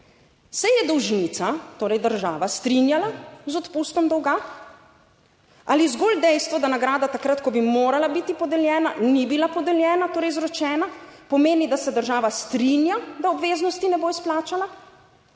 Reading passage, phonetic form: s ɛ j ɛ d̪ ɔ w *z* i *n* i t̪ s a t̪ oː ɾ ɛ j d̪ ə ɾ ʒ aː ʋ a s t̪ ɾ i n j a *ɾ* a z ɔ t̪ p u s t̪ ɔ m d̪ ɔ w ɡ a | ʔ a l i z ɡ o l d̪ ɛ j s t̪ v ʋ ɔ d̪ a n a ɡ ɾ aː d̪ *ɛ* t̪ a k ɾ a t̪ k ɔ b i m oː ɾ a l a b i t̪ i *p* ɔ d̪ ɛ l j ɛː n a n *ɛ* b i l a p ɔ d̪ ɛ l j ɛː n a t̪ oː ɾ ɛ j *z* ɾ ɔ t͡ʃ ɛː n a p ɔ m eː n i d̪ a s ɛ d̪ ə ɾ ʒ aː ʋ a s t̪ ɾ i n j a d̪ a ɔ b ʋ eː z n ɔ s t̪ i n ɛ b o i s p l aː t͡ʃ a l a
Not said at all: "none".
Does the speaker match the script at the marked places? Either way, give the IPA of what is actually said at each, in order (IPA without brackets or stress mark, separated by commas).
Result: ʒ, n, l, a, p, i, z